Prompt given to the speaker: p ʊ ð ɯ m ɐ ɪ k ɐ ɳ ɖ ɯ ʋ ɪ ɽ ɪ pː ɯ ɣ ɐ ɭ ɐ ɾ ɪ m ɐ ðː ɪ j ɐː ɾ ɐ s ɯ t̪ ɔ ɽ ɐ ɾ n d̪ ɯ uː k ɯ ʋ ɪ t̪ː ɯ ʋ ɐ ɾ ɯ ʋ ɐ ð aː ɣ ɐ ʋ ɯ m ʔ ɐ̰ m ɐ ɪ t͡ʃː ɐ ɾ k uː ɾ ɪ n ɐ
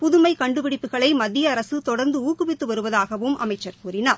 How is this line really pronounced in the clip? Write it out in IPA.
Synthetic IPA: p ʊ ð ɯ m ɐ ɪ k ɐ ɳ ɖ ɯ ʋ ɪ ɽ ɪ pː ɯ ɣ ɐ ɭ ɐ ɪ m ɐ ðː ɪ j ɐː ɾ ɐ s ɯ t̪ ɔ ɽ ɐ ɾ n d̪ ɯ uː k ɯ ʋ ɪ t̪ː ɯ ʋ ɐ ɾ ɯ ʋ ɐ ð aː ɣ ɐ ʋ ɯ m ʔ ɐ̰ m ɐ ɪ t͡ʃː ɐ ɾ k uː ɾ ɪ n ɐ